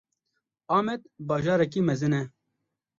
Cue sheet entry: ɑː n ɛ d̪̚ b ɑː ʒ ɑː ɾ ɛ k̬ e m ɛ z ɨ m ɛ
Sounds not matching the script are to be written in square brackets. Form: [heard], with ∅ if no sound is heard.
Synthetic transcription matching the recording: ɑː [m] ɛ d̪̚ b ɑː ʒ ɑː ɾ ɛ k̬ [i] m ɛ z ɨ [n] ɛ